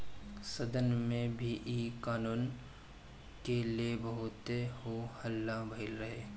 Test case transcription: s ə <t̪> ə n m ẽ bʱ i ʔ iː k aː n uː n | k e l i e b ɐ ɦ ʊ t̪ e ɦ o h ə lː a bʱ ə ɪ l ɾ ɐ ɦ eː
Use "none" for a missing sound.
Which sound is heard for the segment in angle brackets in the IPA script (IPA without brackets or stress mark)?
d̪